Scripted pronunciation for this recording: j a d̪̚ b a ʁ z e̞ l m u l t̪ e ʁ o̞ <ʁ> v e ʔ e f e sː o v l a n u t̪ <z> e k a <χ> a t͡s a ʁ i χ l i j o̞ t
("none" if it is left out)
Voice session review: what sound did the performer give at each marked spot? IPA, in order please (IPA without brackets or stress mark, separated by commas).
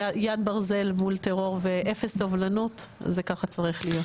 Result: ʁ, z, χ